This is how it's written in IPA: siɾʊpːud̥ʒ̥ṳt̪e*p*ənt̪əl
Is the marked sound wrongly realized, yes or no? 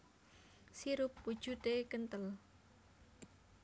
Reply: yes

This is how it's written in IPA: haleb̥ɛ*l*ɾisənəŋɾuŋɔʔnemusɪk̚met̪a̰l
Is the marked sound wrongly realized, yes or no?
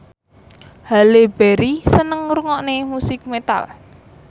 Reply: yes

